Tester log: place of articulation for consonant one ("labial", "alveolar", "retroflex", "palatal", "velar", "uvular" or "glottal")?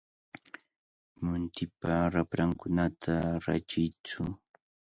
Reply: labial